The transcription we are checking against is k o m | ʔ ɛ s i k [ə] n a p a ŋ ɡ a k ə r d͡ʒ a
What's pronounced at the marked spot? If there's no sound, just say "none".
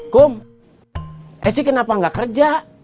ə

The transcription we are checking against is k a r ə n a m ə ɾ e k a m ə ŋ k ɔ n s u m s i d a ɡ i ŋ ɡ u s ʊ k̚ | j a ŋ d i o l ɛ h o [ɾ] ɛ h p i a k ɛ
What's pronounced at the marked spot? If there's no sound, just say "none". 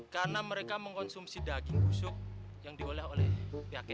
l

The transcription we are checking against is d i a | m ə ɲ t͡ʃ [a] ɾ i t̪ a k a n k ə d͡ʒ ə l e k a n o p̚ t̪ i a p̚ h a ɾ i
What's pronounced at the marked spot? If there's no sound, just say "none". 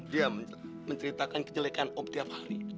ə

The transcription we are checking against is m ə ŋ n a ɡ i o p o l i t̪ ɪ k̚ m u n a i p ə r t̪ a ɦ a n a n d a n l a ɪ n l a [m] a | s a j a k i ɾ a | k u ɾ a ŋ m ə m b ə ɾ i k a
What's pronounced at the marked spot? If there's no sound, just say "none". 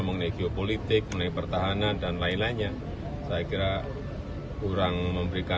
ɲ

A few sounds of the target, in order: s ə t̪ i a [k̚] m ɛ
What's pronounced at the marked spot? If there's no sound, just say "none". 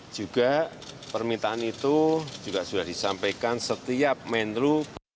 p̚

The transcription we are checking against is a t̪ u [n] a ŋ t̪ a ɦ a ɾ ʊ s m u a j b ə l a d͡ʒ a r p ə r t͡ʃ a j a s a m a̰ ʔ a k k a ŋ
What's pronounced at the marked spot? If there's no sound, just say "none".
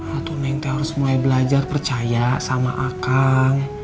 n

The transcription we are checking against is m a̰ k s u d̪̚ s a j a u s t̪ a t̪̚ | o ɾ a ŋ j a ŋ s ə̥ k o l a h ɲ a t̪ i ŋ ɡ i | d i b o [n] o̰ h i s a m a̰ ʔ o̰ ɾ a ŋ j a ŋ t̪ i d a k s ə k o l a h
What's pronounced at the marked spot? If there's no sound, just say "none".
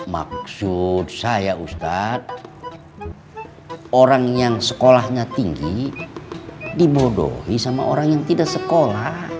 d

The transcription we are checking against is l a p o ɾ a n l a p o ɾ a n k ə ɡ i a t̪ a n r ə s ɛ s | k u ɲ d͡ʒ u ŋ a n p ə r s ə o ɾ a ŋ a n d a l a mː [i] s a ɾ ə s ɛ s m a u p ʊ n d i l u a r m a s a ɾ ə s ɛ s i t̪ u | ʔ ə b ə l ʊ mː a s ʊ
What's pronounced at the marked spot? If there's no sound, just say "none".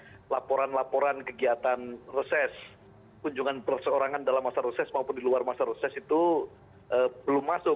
a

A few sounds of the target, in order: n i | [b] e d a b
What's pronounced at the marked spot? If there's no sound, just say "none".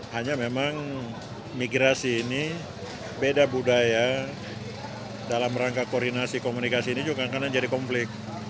b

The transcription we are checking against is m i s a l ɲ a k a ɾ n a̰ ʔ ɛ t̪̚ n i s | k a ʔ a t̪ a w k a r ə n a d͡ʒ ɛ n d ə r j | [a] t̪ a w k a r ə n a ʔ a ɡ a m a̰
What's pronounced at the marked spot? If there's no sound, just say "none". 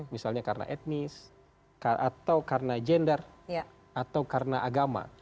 a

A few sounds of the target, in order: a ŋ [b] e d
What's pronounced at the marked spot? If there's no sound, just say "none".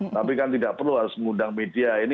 m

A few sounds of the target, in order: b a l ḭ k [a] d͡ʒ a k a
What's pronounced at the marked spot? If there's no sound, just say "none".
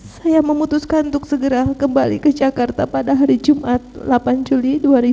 ə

